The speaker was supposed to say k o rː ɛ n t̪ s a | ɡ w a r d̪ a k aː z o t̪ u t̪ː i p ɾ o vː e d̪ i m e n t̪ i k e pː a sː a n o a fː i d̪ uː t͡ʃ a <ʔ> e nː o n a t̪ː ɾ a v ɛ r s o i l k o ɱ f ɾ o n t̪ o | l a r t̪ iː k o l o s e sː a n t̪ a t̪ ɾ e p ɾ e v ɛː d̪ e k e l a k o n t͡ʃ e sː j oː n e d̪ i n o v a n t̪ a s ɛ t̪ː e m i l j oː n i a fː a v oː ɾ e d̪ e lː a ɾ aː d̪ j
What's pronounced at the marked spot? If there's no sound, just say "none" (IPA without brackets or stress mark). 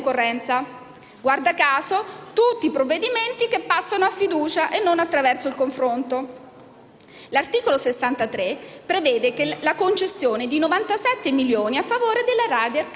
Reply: ʔ